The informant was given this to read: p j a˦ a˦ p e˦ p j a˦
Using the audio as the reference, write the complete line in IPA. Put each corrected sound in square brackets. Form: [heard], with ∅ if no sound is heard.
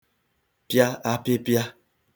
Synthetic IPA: p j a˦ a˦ p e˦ p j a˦